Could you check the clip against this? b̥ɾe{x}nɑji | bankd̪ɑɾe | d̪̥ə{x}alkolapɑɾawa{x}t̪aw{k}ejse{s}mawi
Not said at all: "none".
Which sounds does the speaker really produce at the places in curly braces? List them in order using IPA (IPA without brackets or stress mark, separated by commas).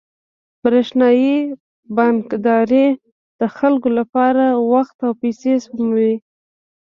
ʃ, x, x, p, s